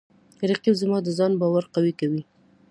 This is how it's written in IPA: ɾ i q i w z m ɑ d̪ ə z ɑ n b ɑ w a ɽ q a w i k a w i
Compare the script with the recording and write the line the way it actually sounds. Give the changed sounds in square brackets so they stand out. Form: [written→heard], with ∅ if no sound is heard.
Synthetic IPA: ɾ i q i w z m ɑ d̪ ə z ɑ n b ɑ w a [ɽ→ɾ] q a w i k a w i